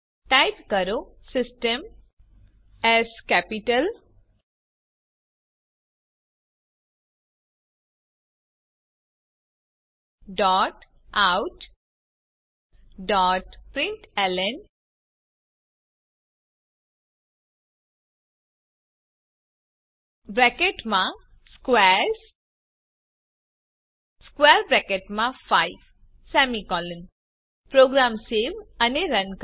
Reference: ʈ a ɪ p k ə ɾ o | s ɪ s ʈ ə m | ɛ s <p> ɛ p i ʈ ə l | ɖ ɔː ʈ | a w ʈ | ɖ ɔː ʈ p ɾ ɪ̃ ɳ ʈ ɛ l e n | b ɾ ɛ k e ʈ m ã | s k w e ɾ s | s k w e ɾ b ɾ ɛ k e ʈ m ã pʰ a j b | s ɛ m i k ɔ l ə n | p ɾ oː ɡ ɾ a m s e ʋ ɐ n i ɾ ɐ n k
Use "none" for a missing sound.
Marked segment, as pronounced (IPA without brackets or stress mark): k